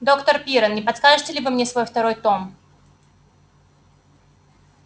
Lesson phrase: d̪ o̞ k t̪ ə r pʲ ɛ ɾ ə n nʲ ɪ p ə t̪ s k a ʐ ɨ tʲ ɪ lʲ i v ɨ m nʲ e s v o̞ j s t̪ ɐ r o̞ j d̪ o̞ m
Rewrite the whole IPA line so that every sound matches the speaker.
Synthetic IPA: d̪ o̞ k t̪ ə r pʲ i ɾ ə n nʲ ɪ p ɐ t̪ s k a ʐ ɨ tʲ ɪ lʲ ɪ v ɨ m nʲ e s v o̞ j f t̪ ɐ ɾ o̞ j t̪ o̞ m